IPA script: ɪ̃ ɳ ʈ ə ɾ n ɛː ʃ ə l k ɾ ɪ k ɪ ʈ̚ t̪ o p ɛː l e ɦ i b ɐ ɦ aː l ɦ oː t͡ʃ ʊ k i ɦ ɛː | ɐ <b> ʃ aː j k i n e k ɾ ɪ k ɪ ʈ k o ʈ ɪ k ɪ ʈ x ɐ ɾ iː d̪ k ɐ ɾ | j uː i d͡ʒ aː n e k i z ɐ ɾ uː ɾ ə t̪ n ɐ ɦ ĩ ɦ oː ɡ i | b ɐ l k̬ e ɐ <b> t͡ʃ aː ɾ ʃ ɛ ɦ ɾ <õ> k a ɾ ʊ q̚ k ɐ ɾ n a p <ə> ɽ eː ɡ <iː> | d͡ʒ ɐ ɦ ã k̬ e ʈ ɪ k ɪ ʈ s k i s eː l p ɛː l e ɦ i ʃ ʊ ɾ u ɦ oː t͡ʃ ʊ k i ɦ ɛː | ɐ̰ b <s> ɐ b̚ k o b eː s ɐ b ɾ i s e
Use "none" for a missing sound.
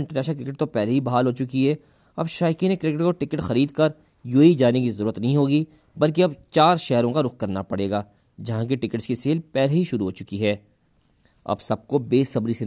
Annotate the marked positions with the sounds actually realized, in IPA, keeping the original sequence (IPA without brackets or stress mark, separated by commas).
b, b, õ, ɐ, aː, s